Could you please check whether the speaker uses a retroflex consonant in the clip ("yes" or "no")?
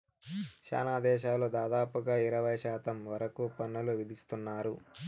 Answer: no